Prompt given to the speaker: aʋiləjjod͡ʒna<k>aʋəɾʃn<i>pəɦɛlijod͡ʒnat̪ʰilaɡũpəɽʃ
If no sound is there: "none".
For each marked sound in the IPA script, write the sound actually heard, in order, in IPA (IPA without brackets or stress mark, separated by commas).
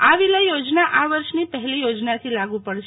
ʔ, i